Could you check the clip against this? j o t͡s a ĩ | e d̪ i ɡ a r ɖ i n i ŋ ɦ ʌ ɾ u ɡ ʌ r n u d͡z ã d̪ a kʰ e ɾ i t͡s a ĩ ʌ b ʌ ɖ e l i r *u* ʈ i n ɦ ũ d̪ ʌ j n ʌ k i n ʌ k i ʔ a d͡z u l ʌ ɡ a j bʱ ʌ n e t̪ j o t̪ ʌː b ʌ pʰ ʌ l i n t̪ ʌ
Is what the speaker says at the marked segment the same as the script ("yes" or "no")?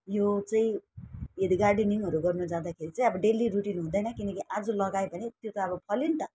yes